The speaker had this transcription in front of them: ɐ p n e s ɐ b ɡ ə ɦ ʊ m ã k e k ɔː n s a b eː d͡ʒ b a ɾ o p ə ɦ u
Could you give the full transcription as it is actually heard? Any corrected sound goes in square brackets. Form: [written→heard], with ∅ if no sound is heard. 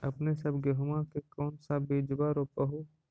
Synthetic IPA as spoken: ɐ p n e s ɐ b ɡ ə ɦ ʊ m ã k e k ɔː n s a b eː d͡ʒ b a ɾ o p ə ɦ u